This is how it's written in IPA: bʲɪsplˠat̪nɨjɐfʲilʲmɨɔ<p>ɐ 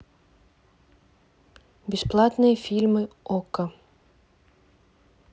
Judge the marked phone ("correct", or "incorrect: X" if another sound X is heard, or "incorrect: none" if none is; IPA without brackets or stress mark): incorrect: k